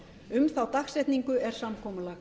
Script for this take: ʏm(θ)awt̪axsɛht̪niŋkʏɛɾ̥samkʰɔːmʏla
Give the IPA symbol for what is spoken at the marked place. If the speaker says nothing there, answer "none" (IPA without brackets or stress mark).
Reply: θ